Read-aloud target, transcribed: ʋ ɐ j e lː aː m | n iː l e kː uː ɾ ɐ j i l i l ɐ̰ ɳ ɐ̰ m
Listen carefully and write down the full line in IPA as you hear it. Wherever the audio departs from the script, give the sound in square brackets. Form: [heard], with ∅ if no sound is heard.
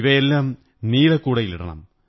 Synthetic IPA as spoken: ʋ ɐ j e lː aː m | n iː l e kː uː [ɽ] ɐ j i l i [ɽ] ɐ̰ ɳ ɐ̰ m